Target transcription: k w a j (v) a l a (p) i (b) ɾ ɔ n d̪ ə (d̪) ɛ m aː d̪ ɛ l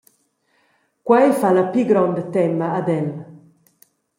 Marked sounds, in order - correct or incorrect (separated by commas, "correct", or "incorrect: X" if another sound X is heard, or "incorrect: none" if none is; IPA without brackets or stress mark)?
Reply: incorrect: f, correct, incorrect: ɡ, incorrect: t̪